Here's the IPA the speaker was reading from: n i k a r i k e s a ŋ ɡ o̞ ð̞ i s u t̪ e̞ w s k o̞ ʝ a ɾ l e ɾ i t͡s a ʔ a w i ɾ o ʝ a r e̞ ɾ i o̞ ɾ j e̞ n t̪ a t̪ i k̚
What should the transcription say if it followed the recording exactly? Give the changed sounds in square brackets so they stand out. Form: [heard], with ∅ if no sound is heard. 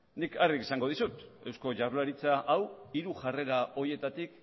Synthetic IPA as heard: n i k a r i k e s a ŋ ɡ o̞ ð̞ i s u t̪ e̞ w s k o̞ ʝ a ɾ l [a] ɾ i t͡s a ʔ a w i ɾ [u] ʝ a r e̞ ɾ [a] o̞ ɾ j e̞ [∅] t̪ a t̪ i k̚

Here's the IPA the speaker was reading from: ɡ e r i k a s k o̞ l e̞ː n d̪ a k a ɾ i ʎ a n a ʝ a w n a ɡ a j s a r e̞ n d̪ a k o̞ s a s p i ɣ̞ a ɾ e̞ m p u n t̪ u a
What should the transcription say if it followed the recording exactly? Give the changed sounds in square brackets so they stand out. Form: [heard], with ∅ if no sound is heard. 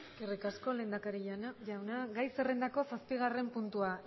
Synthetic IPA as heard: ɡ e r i k a s k o̞ l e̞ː n d̪ a k a ɾ i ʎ a n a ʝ a w n a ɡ a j s [e] r e̞ n d̪ a k o̞ s a s p i ɣ̞ a [r] e̞ m p u n t̪ u a

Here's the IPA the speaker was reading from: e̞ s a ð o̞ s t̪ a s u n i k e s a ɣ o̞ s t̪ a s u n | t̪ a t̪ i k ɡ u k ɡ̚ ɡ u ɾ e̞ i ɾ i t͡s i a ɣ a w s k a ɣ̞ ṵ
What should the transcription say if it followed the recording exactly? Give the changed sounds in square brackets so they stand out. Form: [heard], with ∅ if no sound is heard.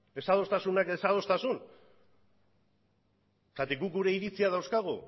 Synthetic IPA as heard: e̞ s a ð o̞ s t̪ a s u n [a] k e s a [ð] o̞ s t̪ a s u n | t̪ a t̪ i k ɡ u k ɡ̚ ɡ u ɾ e̞ i ɾ i t͡s i a [ð] a w s k a ɣ̞ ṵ

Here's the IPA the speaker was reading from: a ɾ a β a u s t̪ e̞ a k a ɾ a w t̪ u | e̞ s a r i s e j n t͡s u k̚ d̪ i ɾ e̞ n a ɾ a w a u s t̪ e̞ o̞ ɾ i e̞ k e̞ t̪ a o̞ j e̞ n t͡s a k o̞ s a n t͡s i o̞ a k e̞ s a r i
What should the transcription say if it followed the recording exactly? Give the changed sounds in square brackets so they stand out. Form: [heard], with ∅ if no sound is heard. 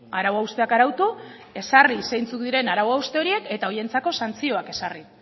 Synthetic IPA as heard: a ɾ a [w] a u s t̪ e̞ a k a ɾ a w t̪ u | e̞ s a r i s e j n t͡s u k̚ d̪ i ɾ e̞ n a ɾ a w a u s t̪ e̞ o̞ ɾ i e̞ k e̞ t̪ a o̞ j e̞ n t͡s a k o̞ s a n t͡s i o̞ a k e̞ s a r i

